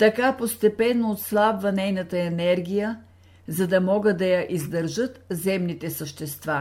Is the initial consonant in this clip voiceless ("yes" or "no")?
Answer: yes